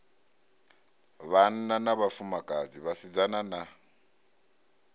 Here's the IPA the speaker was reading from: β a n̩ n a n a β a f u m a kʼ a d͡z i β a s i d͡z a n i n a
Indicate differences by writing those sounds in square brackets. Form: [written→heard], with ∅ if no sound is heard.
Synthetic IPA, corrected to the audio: β a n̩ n a n a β a f u m a kʼ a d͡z i β a s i d͡z a n [i→a] n a